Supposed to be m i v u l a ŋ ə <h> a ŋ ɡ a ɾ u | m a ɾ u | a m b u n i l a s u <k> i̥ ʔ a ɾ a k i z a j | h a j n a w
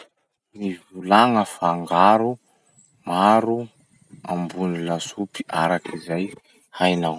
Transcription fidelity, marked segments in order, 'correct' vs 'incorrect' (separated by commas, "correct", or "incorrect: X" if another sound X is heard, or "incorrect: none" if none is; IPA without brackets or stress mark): incorrect: f, incorrect: p